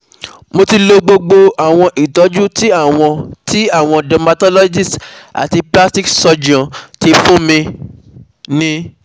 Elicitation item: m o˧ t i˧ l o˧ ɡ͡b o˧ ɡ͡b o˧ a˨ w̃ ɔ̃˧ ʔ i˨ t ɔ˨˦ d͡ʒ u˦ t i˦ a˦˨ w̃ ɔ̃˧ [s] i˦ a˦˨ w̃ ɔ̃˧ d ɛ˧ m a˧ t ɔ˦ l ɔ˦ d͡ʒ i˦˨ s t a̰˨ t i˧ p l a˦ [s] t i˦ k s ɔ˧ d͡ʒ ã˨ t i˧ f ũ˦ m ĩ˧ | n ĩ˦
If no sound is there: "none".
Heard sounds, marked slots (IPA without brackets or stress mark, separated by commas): t, s